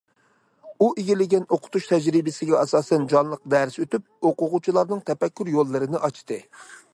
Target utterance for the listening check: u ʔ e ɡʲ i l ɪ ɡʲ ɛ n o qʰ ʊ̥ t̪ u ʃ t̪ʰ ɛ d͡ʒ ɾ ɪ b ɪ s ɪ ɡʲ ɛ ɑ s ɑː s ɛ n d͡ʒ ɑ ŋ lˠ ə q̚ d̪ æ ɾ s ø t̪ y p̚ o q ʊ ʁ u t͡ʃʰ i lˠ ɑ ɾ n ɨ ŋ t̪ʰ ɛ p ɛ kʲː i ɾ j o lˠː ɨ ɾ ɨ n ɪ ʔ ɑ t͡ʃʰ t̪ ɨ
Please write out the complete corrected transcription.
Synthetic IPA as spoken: u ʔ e ɡʲ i l ɪ ɡʲ ɛ n o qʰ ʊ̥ t̪ u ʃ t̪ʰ ɛ d͡ʒ ɾ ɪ b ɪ s ɪ ɡʲ ɛ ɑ s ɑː s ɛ n d͡ʒ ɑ n lˠ ə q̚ d̪ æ ɾ s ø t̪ y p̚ o q ʊ ʁ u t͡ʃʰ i lˠ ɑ ɾ n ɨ ŋ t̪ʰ ɛ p ɛ kʲː y ɾ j o lˠː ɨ ɾ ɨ n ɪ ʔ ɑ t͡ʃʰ t̪ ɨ

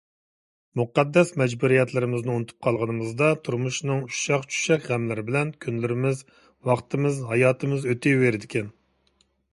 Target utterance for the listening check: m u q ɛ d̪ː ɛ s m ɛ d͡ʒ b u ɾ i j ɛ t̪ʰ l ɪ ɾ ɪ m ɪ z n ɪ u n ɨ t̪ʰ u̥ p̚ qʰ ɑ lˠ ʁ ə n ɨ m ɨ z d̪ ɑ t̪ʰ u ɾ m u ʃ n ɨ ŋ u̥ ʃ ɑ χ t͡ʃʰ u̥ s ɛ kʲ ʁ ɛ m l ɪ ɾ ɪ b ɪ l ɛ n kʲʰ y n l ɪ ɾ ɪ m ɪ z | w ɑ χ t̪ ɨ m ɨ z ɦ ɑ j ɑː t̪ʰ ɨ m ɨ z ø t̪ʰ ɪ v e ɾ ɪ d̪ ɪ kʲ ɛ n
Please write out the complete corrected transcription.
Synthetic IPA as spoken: m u q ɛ d̪ː ɛ s m ɛ d͡ʒ b u ɾ i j ɛ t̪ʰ l ɪ ɾ ɪ m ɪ z n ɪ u n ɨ t̪ʰ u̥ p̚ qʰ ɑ lˠ ʁ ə n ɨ m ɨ z d̪ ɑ t̪ʰ u ɾ m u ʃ n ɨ ŋ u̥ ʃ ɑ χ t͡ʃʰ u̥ ʃ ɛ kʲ ʁ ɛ m l ɪ ɾ ɪ b ɪ l ɛ n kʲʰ y n l ɪ ɾ ɪ m ɪ z | w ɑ χ t̪ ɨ m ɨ z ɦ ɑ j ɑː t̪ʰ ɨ m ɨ z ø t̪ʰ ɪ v e ɾ ɪ d̪ ɪ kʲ ɛ n

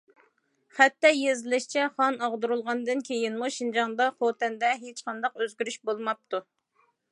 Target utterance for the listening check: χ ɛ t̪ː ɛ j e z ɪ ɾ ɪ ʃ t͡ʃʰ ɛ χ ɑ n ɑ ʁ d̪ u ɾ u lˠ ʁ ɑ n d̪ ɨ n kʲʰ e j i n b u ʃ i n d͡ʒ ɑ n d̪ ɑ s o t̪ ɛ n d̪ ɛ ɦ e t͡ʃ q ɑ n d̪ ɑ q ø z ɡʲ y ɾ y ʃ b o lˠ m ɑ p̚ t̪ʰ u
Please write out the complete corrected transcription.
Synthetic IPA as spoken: χ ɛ t̪ː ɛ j e z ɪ l ɪ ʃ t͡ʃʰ ɛ χ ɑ n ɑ ʁ d̪ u ɾ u lˠ ʁ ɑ n d̪ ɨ n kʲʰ e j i n m u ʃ i n d͡ʒ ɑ ŋ d̪ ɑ χ o t̪ ɛ n d̪ ɛ ɦ e t͡ʃ q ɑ n d̪ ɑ q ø z ɡʲ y ɾ y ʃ b o lˠ m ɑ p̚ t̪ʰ u

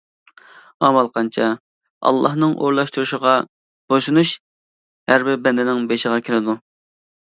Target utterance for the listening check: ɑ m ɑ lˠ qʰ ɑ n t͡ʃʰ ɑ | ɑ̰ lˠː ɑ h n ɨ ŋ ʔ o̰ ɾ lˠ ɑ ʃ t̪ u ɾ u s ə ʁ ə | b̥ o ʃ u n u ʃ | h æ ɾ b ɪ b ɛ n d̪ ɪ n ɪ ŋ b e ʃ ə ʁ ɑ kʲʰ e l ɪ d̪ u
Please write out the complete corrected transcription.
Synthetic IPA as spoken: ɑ m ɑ lˠ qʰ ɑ n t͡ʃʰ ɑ | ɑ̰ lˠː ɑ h n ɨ ŋ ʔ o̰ ɾ lˠ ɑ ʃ t̪ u ɾ u ʃ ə ʁ ɑ | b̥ o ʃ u n u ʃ | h æ ɾ b ɪ b ɛ n d̪ ɪ n ɪ ŋ b e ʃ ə ʁ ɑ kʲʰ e l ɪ d̪ u

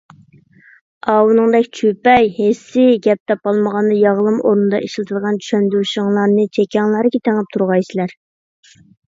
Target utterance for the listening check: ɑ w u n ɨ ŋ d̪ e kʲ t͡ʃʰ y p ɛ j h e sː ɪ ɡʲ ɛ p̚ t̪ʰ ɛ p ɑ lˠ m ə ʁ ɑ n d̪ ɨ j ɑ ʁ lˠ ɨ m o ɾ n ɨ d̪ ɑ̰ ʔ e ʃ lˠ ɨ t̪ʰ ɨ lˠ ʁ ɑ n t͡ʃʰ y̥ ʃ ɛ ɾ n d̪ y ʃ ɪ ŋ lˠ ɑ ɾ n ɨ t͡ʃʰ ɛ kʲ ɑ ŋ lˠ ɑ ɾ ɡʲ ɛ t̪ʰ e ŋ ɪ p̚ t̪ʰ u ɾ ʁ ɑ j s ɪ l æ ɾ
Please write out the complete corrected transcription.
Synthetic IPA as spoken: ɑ w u n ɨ ŋ d̪ ɛ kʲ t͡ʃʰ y p ɛ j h e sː ɪ ɡʲ ɛ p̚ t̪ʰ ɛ p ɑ lˠ m ə ʁ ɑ n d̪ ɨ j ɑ ʁ lˠ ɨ m o ɾ n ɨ d̪ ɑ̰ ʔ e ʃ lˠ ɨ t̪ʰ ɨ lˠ ʁ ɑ n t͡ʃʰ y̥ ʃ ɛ n d̪ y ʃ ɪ ŋ lˠ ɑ ɾ n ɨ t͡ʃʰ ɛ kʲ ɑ ŋ lˠ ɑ ɾ ɡʲ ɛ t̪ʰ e ŋ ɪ p̚ t̪ʰ u ɾ ʁ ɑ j s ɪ l æ ɾ

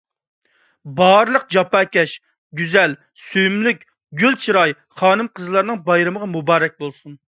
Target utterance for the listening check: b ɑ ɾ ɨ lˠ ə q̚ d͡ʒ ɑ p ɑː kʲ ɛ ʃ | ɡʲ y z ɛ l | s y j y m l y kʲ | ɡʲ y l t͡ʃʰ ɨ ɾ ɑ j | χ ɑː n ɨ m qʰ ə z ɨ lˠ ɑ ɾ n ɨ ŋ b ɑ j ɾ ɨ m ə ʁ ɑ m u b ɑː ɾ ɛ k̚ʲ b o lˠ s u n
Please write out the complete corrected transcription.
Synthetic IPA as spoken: b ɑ ɾ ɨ lˠ ə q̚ d͡ʒ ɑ p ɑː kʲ ɛ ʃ | ɡʲ y z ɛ l | s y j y m l y kʲ | ɡʲ y l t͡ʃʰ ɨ ɾ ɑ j | χ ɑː n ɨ m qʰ ə z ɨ lˠ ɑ ɾ n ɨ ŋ b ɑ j ɾ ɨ m ə ʁ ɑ m u b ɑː ɾ ɛ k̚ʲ b o lˠ s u n

